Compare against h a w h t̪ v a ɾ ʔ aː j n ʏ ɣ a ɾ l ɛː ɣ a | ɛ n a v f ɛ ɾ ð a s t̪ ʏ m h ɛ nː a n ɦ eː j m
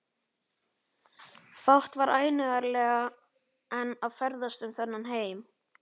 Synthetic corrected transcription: f a w h t̪ v a ɾ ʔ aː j n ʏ ɣ a ɾ l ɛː ɣ a | ɛ n a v f ɛ ɾ ð a s t̪ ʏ m θ ɛ nː a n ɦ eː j m